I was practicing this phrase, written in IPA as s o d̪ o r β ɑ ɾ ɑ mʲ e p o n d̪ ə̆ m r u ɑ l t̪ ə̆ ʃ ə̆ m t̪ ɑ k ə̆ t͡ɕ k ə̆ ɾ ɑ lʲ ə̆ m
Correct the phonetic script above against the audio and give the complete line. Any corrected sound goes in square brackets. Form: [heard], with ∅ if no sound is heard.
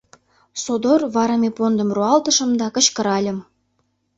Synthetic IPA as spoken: s o d̪ o r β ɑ ɾ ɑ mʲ e p o n d̪ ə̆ m r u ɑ l t̪ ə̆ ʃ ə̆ m [d̪] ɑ k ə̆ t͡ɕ k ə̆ ɾ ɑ lʲ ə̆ m